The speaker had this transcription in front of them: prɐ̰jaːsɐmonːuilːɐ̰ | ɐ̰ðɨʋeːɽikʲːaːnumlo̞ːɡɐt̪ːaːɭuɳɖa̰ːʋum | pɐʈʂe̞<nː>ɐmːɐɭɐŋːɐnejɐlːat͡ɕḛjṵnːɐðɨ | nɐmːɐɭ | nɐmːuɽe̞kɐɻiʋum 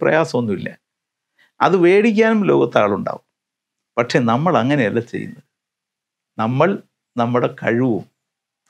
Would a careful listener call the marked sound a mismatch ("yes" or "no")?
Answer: yes